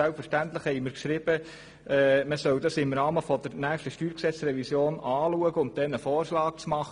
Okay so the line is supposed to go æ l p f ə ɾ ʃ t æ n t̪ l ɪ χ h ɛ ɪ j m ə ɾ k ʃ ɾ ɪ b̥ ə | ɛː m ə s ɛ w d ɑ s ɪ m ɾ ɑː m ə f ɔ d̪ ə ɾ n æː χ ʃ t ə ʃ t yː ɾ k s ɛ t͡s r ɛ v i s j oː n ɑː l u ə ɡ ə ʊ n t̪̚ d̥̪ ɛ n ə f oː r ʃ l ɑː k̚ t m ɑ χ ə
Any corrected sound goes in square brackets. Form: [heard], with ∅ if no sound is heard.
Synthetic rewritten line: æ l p f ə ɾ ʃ t æ n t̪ l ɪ χ h ɛ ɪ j m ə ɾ k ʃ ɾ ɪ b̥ ə | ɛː m ə s [œ] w d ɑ s ɪ m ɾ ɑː m ə f ɔ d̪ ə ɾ n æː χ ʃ t ə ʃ t yː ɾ k s ɛ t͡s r ɛ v i s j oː n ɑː l u ə ɡ ə ʊ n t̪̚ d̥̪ ɛ n ə f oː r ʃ l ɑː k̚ [t͡s] m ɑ χ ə